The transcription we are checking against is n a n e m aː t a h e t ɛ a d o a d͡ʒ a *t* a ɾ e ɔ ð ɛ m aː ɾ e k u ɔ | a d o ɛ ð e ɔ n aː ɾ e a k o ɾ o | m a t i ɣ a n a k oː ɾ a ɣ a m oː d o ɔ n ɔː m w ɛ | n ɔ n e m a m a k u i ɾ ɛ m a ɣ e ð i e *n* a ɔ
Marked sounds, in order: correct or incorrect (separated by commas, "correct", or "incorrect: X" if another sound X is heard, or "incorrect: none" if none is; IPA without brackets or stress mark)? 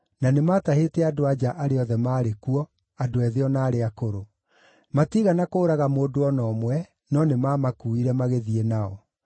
incorrect: ʔ, correct